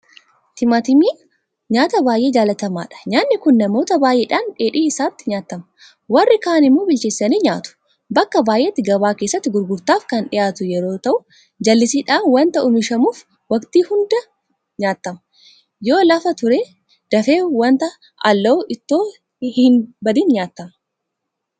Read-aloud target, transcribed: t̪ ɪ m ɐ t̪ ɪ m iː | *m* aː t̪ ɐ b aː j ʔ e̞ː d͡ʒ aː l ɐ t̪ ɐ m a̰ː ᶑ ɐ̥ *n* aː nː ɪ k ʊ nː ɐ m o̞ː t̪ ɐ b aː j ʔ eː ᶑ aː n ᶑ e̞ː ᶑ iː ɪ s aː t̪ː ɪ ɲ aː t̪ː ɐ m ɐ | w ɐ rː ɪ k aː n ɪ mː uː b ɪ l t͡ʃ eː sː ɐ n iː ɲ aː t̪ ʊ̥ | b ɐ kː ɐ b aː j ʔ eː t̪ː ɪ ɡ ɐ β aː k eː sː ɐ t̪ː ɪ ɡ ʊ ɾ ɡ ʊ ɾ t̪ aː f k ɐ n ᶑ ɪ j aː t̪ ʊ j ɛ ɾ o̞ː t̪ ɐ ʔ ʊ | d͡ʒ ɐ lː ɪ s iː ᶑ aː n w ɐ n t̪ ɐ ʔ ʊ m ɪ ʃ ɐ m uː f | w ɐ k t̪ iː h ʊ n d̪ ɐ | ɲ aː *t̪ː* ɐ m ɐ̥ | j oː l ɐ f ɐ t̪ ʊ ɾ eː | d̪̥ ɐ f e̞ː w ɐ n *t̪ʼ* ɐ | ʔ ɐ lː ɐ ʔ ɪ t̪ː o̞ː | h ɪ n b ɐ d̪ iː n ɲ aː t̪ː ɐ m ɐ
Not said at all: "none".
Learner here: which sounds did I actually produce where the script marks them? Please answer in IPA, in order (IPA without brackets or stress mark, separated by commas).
ɲ, ɲ, t̪ː, t̪